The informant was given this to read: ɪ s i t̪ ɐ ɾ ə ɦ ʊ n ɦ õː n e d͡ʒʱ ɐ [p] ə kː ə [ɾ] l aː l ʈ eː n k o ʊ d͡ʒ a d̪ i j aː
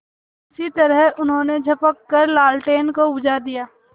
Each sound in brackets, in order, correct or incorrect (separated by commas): correct, correct